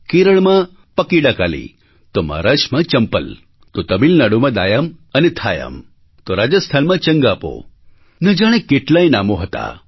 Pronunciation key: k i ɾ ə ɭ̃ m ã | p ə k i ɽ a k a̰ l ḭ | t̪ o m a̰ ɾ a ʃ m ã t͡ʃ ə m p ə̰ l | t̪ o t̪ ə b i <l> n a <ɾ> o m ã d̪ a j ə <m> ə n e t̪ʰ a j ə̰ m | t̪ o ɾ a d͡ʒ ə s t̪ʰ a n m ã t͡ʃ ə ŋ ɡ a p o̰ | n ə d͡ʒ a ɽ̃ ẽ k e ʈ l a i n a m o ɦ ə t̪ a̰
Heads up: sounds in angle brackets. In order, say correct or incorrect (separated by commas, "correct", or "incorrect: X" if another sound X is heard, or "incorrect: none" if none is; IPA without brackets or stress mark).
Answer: correct, incorrect: ɽ, correct